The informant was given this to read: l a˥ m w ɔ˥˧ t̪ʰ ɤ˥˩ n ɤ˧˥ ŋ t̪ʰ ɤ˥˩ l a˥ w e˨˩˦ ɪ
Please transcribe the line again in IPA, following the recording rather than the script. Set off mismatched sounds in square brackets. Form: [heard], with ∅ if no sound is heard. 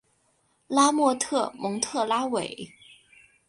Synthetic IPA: l a˥ m w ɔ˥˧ t̪ʰ ɤ˥˩ [m] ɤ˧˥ ŋ t̪ʰ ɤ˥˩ l a˥ w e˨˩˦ ɪ